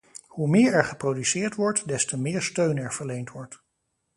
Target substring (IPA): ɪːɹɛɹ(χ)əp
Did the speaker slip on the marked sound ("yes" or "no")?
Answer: no